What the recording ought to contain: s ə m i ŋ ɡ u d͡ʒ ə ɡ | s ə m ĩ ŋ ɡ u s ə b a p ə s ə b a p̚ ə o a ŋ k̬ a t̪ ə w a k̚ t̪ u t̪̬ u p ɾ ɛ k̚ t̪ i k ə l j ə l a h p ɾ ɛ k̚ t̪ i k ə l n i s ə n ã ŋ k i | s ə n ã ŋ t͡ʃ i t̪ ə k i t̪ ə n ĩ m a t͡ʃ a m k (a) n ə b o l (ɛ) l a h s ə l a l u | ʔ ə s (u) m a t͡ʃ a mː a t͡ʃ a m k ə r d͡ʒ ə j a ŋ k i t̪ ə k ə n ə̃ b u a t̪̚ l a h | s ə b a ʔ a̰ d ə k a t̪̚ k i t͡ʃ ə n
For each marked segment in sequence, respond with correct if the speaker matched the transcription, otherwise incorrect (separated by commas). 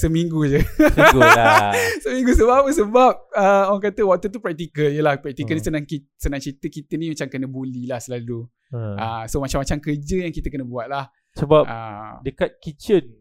incorrect, incorrect, incorrect